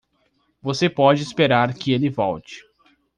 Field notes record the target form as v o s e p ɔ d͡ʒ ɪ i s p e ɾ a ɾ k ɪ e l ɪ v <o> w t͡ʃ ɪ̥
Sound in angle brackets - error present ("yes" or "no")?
yes